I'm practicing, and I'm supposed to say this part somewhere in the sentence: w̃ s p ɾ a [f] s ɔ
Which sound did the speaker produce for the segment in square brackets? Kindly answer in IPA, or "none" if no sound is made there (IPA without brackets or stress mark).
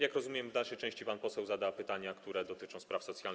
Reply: f